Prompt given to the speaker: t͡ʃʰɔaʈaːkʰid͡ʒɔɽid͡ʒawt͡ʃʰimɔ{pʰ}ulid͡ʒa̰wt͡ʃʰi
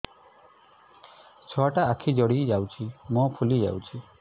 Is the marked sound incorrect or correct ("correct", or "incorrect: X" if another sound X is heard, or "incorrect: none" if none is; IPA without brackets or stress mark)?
correct